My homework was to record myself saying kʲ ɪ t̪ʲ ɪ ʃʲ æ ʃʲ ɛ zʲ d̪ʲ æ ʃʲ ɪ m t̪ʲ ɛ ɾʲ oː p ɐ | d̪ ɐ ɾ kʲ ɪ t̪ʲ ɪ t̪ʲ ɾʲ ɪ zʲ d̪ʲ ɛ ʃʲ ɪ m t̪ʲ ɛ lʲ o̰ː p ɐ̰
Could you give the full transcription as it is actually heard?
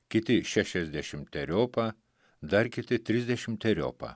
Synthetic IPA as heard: kʲ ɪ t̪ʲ ɪ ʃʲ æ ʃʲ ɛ zʲ d̪ʲ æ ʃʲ ɪ m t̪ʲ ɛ ɾʲ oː p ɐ | d̪ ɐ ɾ kʲ ɪ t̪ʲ ɪ t̪ʲ ɾʲ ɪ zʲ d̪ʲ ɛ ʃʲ ɪ m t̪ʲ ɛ ɾʲ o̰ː p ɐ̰